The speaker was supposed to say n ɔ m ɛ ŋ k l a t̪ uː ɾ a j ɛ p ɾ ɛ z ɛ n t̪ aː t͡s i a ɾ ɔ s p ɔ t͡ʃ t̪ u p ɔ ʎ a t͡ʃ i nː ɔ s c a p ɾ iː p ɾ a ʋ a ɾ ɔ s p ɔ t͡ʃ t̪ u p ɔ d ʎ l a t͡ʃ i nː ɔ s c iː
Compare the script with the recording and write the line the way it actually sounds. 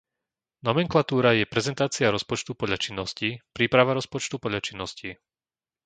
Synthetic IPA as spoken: n ɔ m ɛ ŋ k l a t̪ uː ɾ a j ɛ p ɾ ɛ z ɛ n t̪ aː t͡s i a ɾ ɔ s p ɔ t͡ʃ t̪ u p ɔ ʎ a t͡ʃ i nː ɔ s c i p ɾ iː p ɾ a ʋ a ɾ ɔ s p ɔ t͡ʃ t̪ u p ɔ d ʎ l a t͡ʃ i nː ɔ s c i